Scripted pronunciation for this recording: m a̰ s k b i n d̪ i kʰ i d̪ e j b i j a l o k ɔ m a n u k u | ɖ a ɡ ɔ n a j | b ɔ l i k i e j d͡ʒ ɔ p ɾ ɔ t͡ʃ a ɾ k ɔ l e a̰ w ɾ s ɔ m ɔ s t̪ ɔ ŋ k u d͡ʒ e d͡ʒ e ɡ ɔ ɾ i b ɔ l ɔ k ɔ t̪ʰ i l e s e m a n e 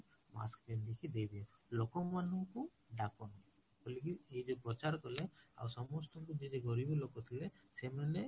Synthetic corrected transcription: m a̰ s k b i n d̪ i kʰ i d̪ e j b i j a l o k ɔ m a n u k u | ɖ a k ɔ n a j | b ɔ l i k i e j d͡ʒ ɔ p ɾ ɔ t͡ʃ a ɾ k ɔ l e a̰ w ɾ s ɔ m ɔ s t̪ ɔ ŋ k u d͡ʒ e d͡ʒ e ɡ ɔ ɾ i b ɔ l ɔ k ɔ t̪ʰ i l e s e m a n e